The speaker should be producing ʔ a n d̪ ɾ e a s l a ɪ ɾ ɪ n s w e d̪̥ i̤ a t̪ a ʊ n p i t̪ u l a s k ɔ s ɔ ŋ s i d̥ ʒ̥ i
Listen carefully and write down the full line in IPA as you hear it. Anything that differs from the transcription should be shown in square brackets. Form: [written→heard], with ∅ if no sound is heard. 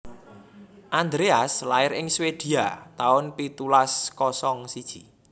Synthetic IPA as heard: ʔ a n d̪ ɾ e a s l a ɪ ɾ ɪ [n→ŋ] s w e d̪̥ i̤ a t̪ a ʊ n p i t̪ u l a s k ɔ s ɔ ŋ s i d̥ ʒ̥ i